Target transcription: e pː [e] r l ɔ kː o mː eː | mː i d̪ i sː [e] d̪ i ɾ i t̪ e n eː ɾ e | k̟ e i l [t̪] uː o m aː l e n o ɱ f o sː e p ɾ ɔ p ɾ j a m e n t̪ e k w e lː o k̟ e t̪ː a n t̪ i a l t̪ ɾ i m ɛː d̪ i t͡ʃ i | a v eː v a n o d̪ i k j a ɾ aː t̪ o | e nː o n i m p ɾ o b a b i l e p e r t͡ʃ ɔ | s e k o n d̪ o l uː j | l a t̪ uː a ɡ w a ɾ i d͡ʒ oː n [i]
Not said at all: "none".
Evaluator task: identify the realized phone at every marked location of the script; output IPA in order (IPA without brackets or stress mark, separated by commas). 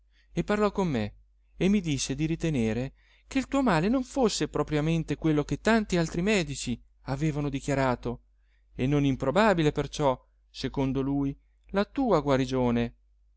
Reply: a, e, t̪, e